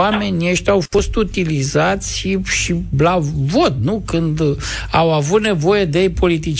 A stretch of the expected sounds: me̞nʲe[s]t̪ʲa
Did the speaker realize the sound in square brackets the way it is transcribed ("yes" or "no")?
no